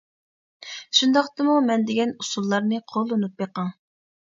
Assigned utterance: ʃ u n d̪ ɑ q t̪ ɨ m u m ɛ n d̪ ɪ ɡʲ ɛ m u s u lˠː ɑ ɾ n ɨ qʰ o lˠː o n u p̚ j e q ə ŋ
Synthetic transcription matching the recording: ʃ u n d̪ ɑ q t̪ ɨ m u m ɛ n d̪ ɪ ɡʲ ɛ n u s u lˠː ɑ ɾ n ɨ qʰ o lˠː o n u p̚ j e q ɑ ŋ